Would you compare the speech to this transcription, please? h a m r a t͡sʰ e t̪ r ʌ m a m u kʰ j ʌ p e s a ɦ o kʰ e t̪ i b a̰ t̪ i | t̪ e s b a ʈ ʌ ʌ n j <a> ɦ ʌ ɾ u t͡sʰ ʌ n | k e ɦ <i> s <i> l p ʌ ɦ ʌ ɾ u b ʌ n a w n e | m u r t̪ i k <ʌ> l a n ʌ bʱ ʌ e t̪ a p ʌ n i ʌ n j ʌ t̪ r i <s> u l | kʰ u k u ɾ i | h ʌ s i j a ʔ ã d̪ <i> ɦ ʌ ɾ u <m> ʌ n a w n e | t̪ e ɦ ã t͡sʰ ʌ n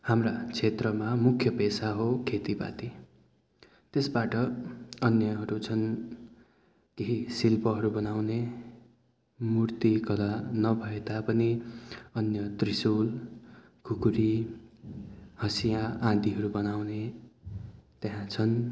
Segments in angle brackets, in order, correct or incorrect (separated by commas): incorrect, correct, correct, correct, correct, correct, incorrect